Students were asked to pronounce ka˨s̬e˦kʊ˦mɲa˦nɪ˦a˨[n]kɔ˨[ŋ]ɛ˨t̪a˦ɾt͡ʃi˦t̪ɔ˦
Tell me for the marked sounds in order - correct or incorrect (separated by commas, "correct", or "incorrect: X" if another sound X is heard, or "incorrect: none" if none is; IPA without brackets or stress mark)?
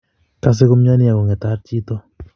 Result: incorrect: none, correct